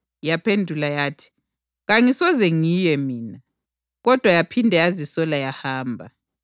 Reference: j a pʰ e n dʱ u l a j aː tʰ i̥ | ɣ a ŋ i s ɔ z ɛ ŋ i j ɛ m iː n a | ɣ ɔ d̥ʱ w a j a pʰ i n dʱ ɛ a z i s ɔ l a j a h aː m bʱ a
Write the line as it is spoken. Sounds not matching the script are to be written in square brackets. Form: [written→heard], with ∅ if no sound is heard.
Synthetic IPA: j a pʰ e n dʱ u l a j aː tʰ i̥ | ɣ a ŋ i s ɔ z ɛ ŋ i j ɛ m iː n a | ɣ ɔ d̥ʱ w a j a pʰ i n dʱ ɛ a z i s ɔ l a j a h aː m bʱ a